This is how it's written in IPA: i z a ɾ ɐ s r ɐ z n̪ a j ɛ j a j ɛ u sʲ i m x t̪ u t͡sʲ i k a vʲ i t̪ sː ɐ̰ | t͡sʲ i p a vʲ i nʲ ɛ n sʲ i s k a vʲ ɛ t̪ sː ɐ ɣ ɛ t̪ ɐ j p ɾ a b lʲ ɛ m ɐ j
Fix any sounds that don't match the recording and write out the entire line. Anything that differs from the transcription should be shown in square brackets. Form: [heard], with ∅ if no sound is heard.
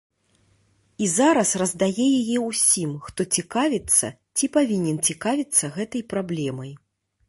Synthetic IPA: i z a ɾ ɐ s r ɐ z [d̪] a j ɛ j a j ɛ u sʲ i m x t̪ [ɔ] t͡sʲ i k a vʲ i t̪ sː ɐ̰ | t͡sʲ i p a vʲ i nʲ ɛ n [t͡sʲ] i [∅] k a vʲ [i] t̪ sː ɐ ɣ ɛ t̪ ɐ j p ɾ a b lʲ ɛ m ɐ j

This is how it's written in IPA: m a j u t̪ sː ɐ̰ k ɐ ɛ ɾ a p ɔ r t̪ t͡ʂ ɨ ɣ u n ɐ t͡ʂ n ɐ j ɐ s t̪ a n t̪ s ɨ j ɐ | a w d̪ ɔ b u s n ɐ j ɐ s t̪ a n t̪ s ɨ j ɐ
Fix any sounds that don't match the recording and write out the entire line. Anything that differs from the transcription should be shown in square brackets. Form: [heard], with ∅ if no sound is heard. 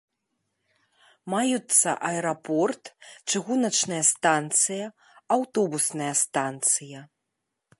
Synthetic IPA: m a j u t̪ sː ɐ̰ [ʔ] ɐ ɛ ɾ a p ɔ r t̪ t͡ʂ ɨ ɣ u n ɐ t͡ʂ n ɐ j ɐ s t̪ a n t̪ s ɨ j ɐ | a w [t̪] ɔ b u s n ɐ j ɐ s t̪ a n t̪ s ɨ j ɐ

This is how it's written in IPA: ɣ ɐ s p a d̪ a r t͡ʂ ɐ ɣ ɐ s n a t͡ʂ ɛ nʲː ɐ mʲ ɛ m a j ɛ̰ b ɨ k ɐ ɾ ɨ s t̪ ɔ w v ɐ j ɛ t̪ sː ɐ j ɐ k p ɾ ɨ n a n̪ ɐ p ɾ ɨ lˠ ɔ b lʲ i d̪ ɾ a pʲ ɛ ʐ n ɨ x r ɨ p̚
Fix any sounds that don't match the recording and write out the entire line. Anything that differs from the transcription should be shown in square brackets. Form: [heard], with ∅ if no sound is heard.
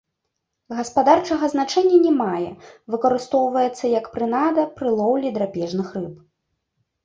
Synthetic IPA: ɣ ɐ s p a d̪ a r t͡ʂ ɐ ɣ ɐ [z] n a t͡ʂ ɛ nʲː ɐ [nʲ] ɛ m a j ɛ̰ [v] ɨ k ɐ ɾ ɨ s t̪ ɔ w v ɐ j ɛ t̪ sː ɐ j ɐ k p ɾ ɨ n a [d̪] ɐ p ɾ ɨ lˠ ɔ [w] lʲ i d̪ ɾ a pʲ ɛ ʐ n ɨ x r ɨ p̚

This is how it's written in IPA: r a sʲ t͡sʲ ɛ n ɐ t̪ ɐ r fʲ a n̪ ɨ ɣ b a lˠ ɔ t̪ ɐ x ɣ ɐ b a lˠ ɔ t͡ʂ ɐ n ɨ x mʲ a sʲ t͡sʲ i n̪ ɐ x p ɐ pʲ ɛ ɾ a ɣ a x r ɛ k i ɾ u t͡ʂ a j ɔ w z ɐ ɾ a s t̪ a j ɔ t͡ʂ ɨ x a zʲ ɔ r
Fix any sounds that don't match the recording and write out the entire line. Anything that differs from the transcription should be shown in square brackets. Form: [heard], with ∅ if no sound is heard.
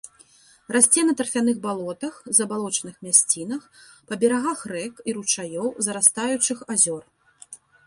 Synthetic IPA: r a sʲ t͡sʲ ɛ n ɐ t̪ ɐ r fʲ a n̪ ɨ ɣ b a lˠ ɔ t̪ ɐ x [z] ɐ b a lˠ ɔ t͡ʂ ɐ n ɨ x mʲ a sʲ t͡sʲ i n̪ ɐ x p ɐ [bʲ] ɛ ɾ a ɣ a x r ɛ k i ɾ u t͡ʂ a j ɔ w z ɐ ɾ a s t̪ a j [u] t͡ʂ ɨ x a zʲ ɔ r

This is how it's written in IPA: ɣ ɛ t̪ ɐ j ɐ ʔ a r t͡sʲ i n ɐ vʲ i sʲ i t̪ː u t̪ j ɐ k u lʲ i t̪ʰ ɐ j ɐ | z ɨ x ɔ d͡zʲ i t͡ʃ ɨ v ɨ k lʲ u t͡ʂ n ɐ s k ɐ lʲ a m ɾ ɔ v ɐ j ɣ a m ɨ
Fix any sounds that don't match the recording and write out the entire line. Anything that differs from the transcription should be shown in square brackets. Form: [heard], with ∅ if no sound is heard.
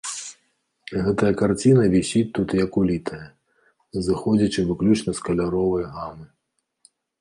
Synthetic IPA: ɣ ɛ t̪ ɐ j ɐ [k] a r t͡sʲ i n ɐ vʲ i sʲ i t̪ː u t̪ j ɐ k u lʲ i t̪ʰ ɐ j ɐ | z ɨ x ɔ d͡zʲ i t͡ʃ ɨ v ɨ k lʲ u t͡ʂ n ɐ s k ɐ lʲ a [∅] ɾ ɔ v ɐ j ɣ a m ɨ

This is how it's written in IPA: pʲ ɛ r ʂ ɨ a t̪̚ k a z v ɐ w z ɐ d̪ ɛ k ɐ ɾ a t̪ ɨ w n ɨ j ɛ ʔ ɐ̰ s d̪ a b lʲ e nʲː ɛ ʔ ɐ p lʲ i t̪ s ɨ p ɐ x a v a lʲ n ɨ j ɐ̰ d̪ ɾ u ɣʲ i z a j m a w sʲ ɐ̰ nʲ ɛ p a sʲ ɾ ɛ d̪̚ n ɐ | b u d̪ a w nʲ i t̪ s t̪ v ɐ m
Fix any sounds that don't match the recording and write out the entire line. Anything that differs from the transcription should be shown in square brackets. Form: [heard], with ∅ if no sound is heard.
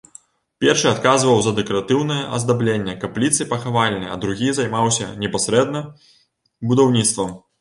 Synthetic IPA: pʲ ɛ r ʂ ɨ a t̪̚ k a z v ɐ w z ɐ d̪ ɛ k ɐ ɾ a t̪ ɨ w n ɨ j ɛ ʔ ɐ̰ [z] d̪ a b lʲ e nʲː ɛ [k] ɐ p lʲ i t̪ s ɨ p ɐ x a v a lʲ n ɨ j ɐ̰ d̪ ɾ u ɣʲ i z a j m a w sʲ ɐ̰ nʲ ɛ p a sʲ ɾ ɛ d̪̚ n ɐ | b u d̪ a w nʲ i t̪ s t̪ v ɐ m

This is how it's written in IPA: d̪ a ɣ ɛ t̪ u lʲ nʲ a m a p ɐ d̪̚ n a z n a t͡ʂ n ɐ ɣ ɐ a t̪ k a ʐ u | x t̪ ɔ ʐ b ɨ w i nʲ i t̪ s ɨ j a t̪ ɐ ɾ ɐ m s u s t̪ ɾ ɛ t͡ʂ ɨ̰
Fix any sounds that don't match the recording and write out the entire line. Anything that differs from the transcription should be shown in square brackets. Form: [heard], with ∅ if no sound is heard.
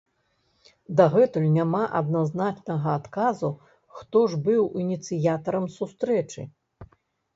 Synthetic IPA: d̪ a ɣ ɛ t̪ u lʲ nʲ a m a [ʔ] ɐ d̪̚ n a z n a t͡ʂ n ɐ ɣ ɐ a t̪ k a [z] u | x t̪ ɔ ʐ b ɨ w i nʲ i t̪ s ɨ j a t̪ ɐ ɾ ɐ m s u s t̪ ɾ ɛ t͡ʂ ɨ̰

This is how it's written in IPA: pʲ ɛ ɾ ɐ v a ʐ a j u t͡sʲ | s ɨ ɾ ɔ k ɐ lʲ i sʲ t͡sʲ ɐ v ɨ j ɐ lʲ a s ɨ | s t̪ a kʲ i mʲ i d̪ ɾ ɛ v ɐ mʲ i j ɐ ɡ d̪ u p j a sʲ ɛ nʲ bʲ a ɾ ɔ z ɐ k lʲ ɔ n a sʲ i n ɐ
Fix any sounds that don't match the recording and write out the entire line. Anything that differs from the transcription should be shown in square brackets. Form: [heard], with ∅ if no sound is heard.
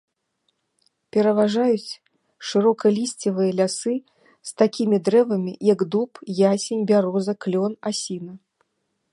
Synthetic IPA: pʲ ɛ ɾ ɐ v a ʐ a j u t͡sʲ | [ʂ] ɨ ɾ ɔ k ɐ lʲ i sʲ t͡sʲ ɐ v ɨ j ɐ lʲ a s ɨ | s t̪ a kʲ i mʲ i d̪ ɾ ɛ v ɐ mʲ i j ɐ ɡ d̪ u p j a sʲ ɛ nʲ bʲ a ɾ ɔ z ɐ k lʲ ɔ n a sʲ i n ɐ

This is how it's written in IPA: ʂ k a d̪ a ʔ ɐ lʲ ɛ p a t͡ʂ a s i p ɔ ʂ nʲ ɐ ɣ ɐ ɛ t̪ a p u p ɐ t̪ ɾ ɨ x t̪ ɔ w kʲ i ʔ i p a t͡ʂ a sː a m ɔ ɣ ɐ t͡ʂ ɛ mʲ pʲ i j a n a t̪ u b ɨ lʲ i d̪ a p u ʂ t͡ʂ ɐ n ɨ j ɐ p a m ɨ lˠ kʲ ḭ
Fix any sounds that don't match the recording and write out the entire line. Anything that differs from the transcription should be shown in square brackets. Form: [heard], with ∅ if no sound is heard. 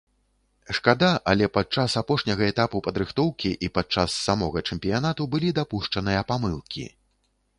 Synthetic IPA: ʂ k a d̪ a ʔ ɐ lʲ ɛ p a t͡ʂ a s [a] p ɔ ʂ nʲ ɐ ɣ ɐ ɛ t̪ a p u p ɐ [d̪] ɾ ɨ x t̪ ɔ w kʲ i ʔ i p a t͡ʂ a sː a m ɔ ɣ ɐ t͡ʂ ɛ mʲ pʲ i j a n a t̪ u b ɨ lʲ i d̪ a p u ʂ t͡ʂ ɐ n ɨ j ɐ p a m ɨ lˠ kʲ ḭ

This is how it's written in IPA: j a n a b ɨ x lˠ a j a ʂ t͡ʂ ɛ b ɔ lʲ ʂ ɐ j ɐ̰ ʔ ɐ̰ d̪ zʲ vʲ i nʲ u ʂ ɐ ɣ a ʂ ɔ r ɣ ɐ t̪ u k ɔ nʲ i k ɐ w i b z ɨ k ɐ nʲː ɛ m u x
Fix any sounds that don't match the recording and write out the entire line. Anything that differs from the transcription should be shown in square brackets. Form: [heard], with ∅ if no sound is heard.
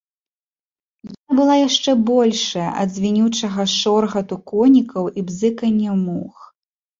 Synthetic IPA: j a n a b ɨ [∅] lˠ a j a ʂ t͡ʂ ɛ b ɔ lʲ ʂ ɐ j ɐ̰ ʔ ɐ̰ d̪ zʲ vʲ i nʲ u [t͡ʂ] ɐ ɣ [ɐ] ʂ ɔ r ɣ ɐ t̪ u k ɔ nʲ i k ɐ w i b z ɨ k ɐ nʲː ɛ m u x

